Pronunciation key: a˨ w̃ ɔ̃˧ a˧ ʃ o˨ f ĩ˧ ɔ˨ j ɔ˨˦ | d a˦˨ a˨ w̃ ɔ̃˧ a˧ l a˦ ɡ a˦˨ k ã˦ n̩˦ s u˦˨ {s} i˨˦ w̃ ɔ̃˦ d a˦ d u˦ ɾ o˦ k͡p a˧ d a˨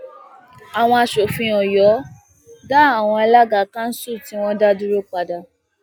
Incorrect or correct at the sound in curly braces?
incorrect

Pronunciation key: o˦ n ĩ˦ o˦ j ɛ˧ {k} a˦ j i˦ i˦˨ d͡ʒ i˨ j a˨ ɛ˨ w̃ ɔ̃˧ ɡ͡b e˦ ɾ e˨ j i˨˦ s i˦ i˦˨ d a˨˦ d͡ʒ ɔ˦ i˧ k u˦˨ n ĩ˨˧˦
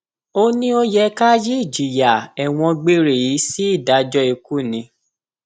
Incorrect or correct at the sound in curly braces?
correct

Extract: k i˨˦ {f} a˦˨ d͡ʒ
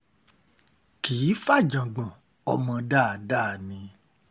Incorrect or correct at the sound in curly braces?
correct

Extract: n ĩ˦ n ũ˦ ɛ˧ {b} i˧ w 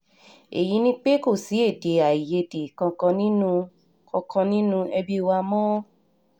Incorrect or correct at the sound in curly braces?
correct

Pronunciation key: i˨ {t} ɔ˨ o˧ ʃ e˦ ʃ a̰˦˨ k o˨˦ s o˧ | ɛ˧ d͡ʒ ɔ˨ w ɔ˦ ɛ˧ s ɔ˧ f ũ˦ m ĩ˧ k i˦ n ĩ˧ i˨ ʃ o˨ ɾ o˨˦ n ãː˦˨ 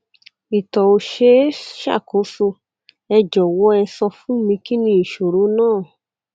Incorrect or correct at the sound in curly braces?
correct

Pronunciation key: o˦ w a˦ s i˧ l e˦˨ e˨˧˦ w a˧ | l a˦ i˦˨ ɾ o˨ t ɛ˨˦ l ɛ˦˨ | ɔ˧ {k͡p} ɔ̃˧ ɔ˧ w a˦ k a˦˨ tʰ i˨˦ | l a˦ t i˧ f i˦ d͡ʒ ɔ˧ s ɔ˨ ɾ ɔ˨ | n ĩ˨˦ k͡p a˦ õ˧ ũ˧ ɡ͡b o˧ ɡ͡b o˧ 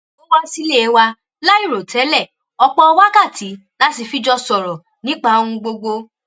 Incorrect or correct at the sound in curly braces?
correct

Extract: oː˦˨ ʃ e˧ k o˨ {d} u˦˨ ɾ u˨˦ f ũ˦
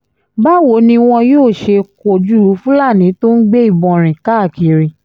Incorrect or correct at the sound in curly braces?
incorrect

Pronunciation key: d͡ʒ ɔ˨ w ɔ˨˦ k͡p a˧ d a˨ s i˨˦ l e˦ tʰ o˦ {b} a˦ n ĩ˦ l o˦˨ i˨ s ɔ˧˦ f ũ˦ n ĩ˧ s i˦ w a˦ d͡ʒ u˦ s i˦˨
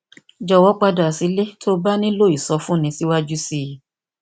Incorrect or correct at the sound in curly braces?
correct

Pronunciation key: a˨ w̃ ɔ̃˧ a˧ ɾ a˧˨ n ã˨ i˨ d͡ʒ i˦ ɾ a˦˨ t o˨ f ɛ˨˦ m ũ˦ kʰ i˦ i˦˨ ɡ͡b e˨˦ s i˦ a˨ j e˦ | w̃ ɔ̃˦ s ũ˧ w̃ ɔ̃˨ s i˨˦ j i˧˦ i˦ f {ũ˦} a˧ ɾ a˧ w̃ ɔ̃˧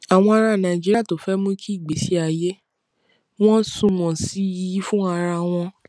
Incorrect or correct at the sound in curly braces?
correct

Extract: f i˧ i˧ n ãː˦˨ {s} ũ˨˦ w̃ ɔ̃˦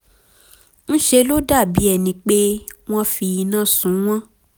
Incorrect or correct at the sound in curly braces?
correct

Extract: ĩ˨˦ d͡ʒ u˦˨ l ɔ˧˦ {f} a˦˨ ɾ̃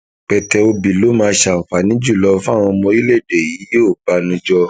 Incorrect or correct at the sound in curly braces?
correct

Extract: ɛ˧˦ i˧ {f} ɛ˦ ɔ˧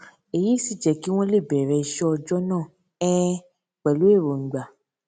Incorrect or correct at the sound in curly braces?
incorrect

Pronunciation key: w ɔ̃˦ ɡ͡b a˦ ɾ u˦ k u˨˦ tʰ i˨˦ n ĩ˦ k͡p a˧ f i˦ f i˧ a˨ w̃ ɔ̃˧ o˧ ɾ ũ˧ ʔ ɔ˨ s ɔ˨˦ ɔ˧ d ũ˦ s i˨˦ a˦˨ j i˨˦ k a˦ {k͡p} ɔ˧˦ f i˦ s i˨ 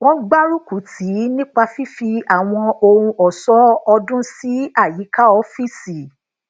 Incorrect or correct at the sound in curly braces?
incorrect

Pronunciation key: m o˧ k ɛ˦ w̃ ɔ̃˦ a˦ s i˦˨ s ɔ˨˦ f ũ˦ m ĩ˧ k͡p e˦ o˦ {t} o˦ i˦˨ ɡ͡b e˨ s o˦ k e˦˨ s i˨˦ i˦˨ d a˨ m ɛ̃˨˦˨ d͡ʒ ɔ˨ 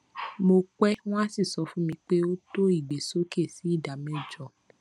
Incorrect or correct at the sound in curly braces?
correct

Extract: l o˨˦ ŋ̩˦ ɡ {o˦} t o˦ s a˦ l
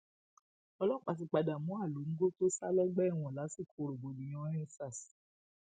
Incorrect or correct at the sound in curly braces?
correct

